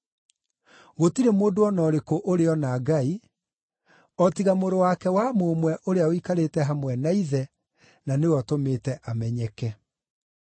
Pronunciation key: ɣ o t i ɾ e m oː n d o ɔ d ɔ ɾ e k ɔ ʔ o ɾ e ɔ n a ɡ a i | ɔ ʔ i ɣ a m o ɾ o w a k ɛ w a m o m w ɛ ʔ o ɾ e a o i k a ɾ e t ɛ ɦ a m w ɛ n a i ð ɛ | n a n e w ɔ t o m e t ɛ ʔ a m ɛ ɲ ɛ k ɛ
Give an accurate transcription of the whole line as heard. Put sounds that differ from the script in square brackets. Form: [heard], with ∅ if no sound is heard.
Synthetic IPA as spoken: ɣ o t i ɾ e m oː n d o ɔ [n] ɔ ɾ e k [o] ʔ o ɾ e ɔ n a ɡ a i | ɔ [t] i ɣ a m o ɾ o w a k ɛ w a m o m w ɛ ʔ o ɾ e a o i k a ɾ e t ɛ ɦ a m w ɛ n a i ð ɛ | n a n e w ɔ t o m e t ɛ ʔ a m ɛ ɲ ɛ k ɛ